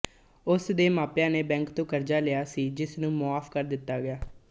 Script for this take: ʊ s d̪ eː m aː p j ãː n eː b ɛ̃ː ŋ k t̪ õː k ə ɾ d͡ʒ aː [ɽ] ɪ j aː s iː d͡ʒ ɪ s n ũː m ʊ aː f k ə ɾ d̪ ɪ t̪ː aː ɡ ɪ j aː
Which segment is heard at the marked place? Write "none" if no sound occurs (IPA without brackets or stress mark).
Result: l